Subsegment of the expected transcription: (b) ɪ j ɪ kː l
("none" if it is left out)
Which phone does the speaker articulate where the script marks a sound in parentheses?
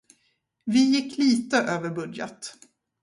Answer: v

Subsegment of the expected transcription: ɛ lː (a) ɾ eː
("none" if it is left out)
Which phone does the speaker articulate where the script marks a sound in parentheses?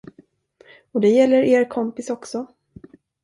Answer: ə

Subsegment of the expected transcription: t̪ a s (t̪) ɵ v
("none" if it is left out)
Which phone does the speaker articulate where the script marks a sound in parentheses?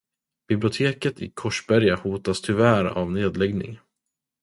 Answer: t̪ʰ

